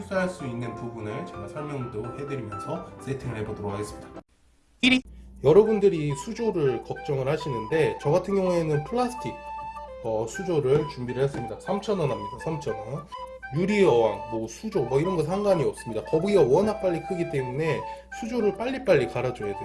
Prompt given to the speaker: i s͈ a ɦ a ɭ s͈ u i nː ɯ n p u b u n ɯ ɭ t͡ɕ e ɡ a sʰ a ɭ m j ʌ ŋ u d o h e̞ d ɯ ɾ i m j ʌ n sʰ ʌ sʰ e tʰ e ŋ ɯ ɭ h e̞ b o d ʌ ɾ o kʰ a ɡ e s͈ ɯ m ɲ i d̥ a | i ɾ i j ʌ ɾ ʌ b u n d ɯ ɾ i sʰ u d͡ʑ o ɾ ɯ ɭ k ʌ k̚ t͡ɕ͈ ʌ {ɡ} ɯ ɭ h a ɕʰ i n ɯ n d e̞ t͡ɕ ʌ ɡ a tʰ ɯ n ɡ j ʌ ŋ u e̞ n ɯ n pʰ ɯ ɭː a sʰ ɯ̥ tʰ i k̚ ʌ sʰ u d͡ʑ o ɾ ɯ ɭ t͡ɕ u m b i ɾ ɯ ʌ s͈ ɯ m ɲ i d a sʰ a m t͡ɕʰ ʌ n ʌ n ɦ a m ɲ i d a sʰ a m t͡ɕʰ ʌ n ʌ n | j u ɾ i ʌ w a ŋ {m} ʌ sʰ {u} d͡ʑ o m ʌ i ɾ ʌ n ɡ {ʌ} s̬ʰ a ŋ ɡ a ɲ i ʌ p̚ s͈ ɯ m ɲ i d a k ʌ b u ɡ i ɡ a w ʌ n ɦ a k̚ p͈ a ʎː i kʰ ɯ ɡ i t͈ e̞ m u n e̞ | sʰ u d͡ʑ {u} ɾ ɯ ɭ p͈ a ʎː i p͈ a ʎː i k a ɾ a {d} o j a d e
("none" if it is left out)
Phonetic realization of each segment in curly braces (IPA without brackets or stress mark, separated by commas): ŋ, m, u, ʌ, o, d͡ʑ